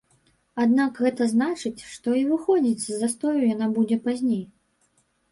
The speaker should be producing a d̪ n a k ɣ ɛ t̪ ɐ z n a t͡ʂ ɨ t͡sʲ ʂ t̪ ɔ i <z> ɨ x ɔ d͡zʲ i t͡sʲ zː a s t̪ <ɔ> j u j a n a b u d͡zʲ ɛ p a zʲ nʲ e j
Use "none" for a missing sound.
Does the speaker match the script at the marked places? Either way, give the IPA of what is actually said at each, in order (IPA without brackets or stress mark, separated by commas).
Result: v, ɔ